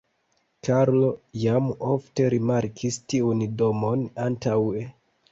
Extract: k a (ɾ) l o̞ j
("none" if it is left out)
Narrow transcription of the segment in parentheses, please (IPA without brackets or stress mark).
ɾ